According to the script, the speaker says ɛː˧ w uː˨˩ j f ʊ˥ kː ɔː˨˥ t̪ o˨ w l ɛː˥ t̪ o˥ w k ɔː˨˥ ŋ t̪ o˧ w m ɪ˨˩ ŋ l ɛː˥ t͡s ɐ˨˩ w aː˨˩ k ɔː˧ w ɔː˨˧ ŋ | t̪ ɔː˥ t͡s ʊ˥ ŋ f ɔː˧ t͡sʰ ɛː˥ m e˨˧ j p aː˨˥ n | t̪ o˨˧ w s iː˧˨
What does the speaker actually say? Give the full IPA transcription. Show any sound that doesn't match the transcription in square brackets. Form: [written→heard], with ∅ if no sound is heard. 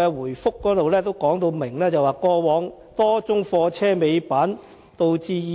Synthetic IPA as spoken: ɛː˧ w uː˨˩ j f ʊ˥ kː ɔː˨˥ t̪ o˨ w l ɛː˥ t̪ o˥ w k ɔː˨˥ ŋ t̪ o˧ w m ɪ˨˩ ŋ l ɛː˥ t͡s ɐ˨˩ w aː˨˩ k ɔː˧ w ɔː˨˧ ŋ | t̪ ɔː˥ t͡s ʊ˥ ŋ f ɔː˧ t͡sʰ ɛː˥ m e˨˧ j p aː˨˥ n | t̪ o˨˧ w [s→t͡s] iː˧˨